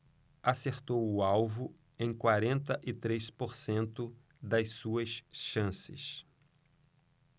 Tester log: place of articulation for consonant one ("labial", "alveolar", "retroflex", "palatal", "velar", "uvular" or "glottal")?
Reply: alveolar